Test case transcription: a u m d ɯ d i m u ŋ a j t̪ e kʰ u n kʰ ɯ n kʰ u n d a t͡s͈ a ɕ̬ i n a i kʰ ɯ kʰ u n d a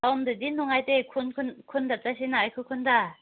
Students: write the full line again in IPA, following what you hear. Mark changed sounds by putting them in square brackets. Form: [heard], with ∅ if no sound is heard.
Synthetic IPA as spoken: a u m d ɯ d i [n] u ŋ a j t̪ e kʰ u n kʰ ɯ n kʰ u n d a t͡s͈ a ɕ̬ i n a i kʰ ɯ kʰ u n d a